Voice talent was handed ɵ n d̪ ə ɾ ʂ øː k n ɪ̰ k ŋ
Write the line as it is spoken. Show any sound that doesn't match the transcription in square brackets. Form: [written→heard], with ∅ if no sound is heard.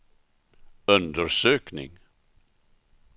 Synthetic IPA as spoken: ɵ n d̪ ə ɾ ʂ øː k n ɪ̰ [k→∅] ŋ